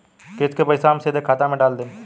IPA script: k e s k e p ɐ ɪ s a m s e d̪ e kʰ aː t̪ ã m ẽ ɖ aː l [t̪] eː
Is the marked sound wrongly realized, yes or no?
yes